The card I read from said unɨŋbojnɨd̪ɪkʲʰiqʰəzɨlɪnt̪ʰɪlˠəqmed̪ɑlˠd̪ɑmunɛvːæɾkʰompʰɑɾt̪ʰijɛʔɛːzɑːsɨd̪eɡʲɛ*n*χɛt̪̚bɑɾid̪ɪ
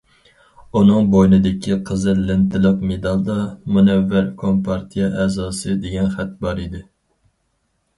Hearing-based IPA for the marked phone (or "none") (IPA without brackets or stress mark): n